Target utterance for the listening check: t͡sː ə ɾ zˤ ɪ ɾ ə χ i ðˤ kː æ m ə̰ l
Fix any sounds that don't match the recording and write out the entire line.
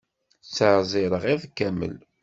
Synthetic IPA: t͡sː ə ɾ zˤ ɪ ɾ ə ʁ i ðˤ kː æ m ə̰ l